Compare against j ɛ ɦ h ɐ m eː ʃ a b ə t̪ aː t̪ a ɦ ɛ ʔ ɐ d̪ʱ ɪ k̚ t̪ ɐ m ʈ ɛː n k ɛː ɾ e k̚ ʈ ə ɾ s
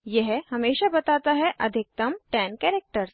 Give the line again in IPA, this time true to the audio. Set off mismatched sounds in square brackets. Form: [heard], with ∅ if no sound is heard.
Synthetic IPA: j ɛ ɦ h ɐ m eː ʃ a b [ɐ] t̪ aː t̪ a ɦ ɛ ʔ ɐ d̪ʱ ɪ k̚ t̪ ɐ m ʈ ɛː n k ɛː ɾ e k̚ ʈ ə ɾ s